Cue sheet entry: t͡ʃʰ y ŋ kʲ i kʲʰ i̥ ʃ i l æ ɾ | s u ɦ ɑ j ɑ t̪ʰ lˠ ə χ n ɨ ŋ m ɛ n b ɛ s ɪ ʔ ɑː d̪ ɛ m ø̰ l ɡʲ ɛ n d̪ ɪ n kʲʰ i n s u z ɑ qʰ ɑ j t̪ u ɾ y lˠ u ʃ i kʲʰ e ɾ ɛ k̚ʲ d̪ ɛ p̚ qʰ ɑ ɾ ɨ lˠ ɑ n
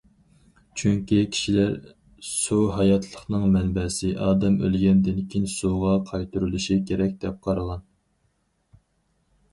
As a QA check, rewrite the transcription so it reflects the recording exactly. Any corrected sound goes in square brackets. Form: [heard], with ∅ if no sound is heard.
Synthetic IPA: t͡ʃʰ y ŋ kʲ i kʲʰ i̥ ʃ i l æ ɾ | s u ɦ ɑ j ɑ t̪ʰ lˠ ə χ n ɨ ŋ m ɛ n b ɛ s ɪ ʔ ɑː d̪ ɛ m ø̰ l ɡʲ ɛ n d̪ ɪ n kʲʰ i n s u [ʁ] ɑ qʰ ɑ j t̪ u ɾ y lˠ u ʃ i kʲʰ e ɾ ɛ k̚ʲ d̪ ɛ p̚ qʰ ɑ ɾ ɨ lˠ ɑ n